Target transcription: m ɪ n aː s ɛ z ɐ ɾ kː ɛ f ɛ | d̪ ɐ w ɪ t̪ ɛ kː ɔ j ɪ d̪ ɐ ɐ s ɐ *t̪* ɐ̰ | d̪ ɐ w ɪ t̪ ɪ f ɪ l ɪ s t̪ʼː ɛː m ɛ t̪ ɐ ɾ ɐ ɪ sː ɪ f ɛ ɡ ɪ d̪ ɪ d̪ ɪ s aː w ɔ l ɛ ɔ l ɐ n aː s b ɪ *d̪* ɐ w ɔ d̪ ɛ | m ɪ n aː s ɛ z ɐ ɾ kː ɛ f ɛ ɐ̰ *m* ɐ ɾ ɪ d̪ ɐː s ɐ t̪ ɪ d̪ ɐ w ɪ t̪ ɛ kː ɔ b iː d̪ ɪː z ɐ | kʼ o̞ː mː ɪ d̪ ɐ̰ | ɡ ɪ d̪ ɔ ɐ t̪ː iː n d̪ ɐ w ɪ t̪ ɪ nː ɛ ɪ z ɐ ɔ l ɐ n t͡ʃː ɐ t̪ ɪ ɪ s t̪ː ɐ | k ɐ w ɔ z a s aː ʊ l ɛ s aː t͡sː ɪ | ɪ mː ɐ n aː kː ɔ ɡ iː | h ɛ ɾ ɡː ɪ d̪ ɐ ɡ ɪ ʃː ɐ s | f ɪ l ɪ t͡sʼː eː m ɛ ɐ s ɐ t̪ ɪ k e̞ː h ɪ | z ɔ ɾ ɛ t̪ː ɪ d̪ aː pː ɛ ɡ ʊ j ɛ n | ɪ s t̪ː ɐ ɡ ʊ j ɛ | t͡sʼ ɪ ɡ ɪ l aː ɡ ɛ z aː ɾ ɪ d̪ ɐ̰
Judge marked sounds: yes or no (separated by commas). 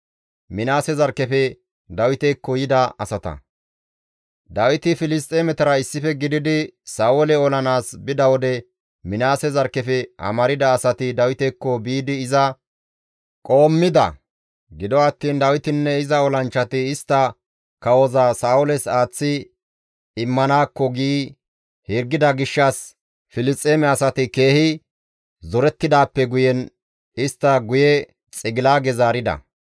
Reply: yes, yes, yes